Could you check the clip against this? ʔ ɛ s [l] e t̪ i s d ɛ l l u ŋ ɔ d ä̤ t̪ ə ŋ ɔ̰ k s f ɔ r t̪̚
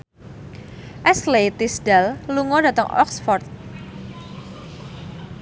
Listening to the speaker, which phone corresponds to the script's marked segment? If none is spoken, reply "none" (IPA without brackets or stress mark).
l